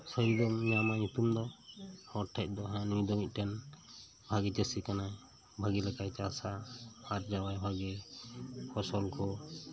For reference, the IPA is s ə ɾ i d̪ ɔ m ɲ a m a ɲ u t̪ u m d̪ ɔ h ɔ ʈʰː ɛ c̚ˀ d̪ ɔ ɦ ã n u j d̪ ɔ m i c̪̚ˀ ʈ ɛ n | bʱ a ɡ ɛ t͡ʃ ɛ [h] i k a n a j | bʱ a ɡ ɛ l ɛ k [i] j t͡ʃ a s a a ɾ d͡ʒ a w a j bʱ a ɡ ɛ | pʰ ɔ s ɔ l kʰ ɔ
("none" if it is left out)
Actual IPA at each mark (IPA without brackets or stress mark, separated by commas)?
s, a